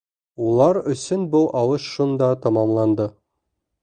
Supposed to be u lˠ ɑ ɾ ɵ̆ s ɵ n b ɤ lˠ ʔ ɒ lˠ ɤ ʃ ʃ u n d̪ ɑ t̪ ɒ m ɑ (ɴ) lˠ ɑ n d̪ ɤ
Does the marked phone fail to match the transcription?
yes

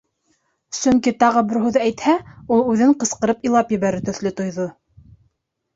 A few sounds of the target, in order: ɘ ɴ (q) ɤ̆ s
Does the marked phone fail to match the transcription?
no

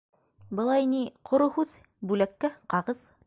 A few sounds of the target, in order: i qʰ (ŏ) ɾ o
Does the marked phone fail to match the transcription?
no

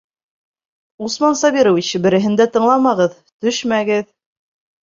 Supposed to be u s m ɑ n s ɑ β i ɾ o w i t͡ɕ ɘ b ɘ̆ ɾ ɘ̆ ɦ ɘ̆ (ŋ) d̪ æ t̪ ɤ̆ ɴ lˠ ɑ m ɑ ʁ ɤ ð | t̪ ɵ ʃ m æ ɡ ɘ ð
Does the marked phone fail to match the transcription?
yes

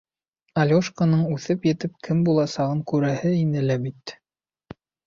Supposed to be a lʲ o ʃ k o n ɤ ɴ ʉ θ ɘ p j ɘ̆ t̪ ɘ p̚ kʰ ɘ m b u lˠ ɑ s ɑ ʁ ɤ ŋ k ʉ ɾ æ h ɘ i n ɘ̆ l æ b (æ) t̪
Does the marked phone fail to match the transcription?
yes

